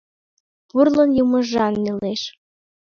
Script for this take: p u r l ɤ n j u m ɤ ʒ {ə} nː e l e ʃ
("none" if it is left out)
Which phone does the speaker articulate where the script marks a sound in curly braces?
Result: ɑ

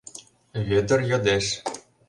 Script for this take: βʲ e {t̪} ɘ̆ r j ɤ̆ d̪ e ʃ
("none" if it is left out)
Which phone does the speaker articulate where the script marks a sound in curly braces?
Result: d̪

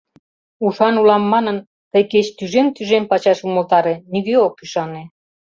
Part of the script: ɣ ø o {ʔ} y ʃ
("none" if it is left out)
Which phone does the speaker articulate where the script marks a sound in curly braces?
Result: k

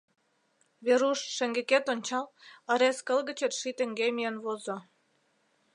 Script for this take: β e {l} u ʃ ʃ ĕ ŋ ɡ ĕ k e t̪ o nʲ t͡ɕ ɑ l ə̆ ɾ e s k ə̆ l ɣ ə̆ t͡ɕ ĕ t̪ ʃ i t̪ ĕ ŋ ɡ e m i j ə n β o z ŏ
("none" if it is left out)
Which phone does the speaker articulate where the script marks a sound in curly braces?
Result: ɾ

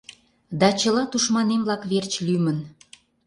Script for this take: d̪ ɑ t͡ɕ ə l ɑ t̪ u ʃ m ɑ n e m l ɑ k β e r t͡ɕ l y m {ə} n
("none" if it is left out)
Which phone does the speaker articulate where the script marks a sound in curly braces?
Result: ə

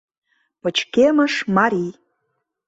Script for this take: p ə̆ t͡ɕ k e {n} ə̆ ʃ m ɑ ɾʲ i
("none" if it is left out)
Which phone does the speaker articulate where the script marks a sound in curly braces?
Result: m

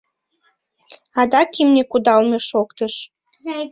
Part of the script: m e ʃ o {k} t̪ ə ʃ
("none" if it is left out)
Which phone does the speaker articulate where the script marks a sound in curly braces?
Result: k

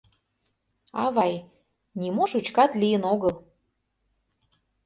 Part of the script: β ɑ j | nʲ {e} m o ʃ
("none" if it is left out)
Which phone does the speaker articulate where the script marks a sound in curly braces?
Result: i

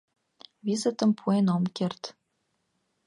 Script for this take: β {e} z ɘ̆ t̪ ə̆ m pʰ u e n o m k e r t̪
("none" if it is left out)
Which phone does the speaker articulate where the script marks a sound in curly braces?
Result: i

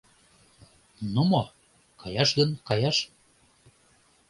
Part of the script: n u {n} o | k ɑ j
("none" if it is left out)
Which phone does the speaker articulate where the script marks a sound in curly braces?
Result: m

